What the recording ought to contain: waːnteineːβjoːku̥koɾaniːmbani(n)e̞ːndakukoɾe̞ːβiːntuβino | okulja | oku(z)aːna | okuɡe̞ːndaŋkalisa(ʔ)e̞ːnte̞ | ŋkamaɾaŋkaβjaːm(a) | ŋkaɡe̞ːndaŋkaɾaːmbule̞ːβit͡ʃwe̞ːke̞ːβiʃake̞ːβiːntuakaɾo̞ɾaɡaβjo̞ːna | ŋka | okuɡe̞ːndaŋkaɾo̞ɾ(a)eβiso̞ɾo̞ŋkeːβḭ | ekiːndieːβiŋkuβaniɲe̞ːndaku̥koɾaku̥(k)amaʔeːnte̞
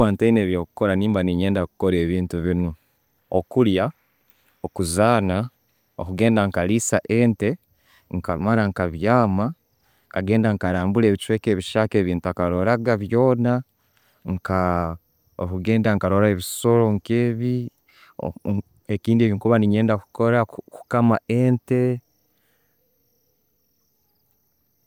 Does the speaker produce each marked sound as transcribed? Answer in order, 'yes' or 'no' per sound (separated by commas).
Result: no, yes, yes, yes, yes, yes